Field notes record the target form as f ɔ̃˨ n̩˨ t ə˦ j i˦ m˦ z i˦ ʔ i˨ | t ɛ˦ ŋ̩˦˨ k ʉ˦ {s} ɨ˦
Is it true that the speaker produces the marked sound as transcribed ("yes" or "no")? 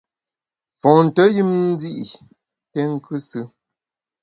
yes